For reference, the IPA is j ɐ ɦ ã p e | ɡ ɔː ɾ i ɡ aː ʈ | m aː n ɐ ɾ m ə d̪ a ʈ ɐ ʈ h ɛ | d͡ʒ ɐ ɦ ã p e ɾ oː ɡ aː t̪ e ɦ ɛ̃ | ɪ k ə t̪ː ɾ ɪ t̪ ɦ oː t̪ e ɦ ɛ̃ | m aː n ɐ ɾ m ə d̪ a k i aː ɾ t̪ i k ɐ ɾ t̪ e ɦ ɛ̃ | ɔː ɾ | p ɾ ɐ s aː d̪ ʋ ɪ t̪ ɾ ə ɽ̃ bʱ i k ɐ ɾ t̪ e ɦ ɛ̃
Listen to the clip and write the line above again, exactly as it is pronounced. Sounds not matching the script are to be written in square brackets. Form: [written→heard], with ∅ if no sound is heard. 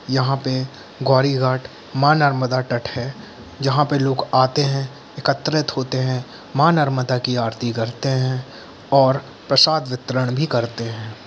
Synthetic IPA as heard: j ɐ ɦ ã p e | ɡ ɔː ɾ i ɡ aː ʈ | m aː n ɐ ɾ m ə d̪ a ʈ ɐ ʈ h ɛ | d͡ʒ ɐ ɦ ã p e [ɾ→l] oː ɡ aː t̪ e ɦ ɛ̃ | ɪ k ə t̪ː ɾ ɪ t̪ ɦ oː t̪ e ɦ ɛ̃ | m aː n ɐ ɾ m ə d̪ a k i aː ɾ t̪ i k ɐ ɾ t̪ e ɦ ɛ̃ | ɔː ɾ | p ɾ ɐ s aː d̪ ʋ ɪ t̪ ɾ ə ɽ̃ bʱ i k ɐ ɾ t̪ e ɦ [ɛ̃→ɛ̃ː]